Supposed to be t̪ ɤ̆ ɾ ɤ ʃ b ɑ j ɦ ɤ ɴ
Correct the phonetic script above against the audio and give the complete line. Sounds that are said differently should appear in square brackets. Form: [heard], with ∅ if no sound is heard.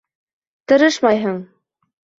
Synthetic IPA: t̪ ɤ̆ ɾ ɤ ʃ [m] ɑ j ɦ ɤ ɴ